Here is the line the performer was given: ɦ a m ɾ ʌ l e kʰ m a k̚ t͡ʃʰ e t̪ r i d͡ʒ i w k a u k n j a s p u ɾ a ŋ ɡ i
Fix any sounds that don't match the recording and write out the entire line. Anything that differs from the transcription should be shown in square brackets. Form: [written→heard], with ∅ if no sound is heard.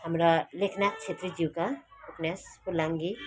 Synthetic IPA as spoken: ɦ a m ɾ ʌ l e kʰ [m→n] a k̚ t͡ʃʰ e t̪ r i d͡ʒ i w k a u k n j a s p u [ɾ→l] a ŋ ɡ i